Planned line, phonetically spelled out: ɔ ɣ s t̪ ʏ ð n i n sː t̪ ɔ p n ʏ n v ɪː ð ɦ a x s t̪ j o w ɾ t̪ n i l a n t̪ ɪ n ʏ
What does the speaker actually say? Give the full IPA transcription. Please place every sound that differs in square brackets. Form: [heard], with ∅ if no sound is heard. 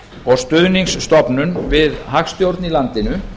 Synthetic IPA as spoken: ɔ ɣ s t̪ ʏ ð n i [ŋ] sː t̪ ɔ p n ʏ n v [ɪ] ð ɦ a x s t̪ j o w ɾ t̪ n i l a n t̪ ɪ n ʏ